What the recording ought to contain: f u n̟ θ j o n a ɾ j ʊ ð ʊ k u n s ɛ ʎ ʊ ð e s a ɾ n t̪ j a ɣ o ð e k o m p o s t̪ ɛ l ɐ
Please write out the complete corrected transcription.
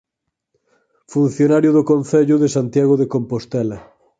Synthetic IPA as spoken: f u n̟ θ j o n a ɾ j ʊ ð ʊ k o n θ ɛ ʎ ʊ ð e s a n t̪ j a ɣ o ð e k o m p o s t̪ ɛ l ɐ